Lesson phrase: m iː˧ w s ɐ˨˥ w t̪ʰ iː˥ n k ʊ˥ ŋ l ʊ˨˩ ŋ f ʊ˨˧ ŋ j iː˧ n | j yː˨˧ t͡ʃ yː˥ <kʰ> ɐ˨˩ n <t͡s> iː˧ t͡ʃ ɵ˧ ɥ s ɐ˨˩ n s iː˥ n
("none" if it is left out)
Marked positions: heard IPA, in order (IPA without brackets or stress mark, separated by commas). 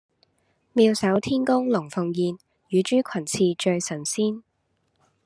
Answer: kʰ, t͡sʰ